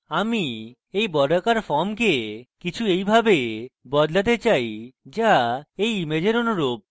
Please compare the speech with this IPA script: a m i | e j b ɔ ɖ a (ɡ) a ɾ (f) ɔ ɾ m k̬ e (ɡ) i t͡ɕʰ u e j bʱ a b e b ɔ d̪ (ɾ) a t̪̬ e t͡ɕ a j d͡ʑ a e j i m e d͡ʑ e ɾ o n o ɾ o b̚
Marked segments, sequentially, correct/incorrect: incorrect, correct, incorrect, incorrect

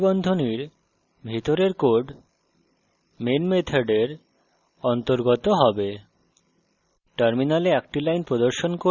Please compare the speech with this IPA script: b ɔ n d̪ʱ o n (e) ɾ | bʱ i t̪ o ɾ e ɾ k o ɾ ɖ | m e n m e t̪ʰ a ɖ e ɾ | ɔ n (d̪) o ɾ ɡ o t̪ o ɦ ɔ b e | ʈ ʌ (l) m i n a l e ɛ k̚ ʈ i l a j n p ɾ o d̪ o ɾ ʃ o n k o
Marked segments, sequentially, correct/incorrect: incorrect, incorrect, incorrect

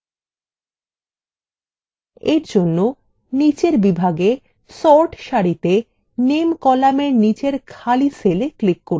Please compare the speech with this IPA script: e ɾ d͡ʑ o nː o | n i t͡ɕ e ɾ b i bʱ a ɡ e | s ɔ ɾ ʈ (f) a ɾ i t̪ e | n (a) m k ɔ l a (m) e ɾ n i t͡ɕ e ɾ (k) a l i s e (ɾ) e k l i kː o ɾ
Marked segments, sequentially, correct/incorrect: incorrect, incorrect, correct, incorrect, incorrect

